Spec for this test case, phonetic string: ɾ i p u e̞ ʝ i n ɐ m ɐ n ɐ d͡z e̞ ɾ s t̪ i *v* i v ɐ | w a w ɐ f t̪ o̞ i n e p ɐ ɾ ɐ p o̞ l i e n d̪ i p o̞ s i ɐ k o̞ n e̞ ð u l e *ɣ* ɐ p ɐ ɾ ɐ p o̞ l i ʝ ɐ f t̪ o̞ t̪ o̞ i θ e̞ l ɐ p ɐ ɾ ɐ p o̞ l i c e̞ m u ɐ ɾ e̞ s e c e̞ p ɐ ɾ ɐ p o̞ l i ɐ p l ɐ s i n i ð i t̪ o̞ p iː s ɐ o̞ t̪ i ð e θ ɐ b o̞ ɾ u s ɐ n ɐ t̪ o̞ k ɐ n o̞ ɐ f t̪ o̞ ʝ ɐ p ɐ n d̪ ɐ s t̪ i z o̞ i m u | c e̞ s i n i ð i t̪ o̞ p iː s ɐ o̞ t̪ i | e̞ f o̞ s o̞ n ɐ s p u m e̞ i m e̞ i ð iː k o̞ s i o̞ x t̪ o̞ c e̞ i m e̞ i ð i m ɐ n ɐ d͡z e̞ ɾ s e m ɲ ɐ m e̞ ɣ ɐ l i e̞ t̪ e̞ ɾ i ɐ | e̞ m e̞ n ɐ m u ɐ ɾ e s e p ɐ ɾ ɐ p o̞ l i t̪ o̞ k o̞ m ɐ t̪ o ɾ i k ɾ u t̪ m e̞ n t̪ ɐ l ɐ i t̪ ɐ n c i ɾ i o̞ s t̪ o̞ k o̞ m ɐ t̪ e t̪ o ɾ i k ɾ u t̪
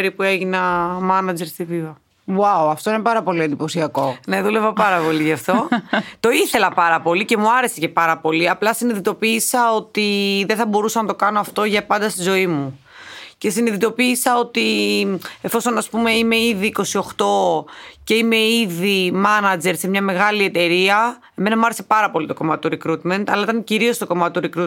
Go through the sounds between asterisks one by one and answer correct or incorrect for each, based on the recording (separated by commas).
correct, incorrect